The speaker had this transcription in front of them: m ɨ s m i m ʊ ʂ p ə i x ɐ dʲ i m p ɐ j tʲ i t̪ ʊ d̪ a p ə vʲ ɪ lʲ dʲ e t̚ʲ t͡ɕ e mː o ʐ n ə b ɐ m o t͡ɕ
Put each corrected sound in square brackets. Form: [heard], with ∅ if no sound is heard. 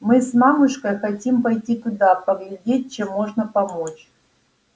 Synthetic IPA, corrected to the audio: m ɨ s m [a] m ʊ ʂ [k] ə [j] x ɐ [tʲ] i m p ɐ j tʲ i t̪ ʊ d̪ a p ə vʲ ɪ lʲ dʲ e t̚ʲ t͡ɕ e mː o ʐ n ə [p] ɐ m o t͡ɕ